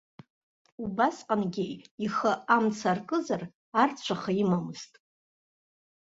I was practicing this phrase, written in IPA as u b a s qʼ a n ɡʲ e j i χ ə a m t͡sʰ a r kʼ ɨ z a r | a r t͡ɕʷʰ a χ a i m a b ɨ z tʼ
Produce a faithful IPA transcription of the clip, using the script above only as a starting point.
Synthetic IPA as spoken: u b a s qʼ a n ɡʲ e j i χ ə a m t͡sʰ a r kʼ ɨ z a r | a r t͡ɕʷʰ a χ a i m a m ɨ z tʼ